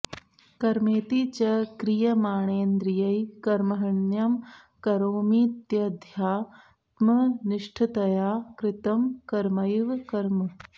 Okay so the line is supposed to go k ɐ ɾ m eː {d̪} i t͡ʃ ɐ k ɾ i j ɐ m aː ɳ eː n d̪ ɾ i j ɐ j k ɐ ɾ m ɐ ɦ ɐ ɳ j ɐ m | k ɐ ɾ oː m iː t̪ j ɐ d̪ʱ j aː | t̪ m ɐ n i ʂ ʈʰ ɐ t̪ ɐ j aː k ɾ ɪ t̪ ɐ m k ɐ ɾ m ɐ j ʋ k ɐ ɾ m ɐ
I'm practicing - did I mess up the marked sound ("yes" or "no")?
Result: yes